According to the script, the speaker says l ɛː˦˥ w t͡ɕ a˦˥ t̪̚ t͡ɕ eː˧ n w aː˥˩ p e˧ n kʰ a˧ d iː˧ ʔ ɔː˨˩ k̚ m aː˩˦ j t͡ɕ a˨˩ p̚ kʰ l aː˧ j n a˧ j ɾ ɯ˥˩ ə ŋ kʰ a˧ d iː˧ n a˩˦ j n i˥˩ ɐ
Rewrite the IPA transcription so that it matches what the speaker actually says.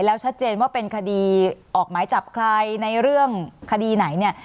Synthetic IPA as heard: l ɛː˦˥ w t͡ɕʰ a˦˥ t̪̚ t͡ɕ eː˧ n w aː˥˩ p e˧ n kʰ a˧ d iː˧ ʔ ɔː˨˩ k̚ m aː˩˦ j t͡ɕ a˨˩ p̚ kʰ l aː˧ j n a˧ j ɾ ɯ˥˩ ə ŋ kʰ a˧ d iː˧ n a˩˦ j n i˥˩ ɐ